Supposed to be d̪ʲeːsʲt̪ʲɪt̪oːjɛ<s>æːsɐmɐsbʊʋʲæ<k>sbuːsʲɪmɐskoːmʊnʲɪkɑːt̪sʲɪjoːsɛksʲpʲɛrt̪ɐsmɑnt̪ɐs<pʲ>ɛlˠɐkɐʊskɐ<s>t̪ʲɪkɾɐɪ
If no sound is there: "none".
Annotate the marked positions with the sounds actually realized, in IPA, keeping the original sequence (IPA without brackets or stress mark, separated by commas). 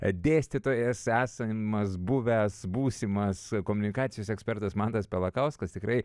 s, none, pʲ, s